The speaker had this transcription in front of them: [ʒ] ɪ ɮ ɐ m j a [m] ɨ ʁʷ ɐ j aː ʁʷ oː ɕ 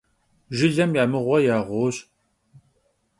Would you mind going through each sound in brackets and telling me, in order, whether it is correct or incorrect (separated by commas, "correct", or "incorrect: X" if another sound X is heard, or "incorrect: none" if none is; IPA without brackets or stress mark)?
correct, correct